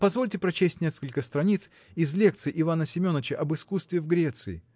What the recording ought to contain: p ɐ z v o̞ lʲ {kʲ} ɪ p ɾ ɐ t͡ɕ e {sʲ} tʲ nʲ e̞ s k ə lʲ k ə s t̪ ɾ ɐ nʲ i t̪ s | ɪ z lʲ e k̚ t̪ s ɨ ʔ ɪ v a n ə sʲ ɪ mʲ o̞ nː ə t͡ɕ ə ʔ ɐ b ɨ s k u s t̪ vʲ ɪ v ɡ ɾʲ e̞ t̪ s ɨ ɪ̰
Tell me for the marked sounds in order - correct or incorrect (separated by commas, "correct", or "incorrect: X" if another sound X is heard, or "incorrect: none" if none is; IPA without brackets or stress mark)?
incorrect: tʲ, correct